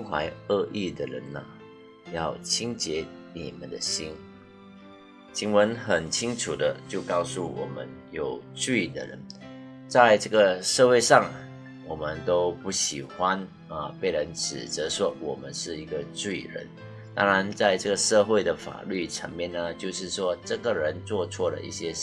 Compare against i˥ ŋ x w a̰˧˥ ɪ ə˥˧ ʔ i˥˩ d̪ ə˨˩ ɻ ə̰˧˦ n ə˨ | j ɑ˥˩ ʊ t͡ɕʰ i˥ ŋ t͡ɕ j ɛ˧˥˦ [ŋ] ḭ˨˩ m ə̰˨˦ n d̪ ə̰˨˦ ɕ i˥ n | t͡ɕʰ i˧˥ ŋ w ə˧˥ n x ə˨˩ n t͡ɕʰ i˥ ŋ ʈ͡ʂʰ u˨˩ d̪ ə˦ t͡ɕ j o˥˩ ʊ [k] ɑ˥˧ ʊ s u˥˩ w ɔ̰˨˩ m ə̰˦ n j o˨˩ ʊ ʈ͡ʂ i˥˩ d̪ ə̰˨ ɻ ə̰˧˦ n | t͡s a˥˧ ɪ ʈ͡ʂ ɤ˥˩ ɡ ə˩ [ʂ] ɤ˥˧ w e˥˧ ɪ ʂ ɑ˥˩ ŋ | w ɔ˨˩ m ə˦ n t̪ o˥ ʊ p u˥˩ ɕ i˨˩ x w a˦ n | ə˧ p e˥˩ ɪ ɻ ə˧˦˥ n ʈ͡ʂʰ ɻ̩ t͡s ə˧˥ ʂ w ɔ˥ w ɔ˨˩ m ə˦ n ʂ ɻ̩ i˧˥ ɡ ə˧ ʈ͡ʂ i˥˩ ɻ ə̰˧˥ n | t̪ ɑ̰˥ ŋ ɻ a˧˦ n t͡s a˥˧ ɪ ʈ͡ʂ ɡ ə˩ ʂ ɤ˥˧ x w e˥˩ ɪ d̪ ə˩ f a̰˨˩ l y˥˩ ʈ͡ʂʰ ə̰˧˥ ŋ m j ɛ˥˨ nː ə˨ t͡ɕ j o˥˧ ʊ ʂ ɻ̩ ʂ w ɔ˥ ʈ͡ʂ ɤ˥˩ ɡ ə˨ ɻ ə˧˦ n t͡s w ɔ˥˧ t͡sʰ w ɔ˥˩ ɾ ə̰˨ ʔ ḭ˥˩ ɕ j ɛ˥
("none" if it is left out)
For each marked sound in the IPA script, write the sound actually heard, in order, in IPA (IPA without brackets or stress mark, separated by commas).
n, k, ʂ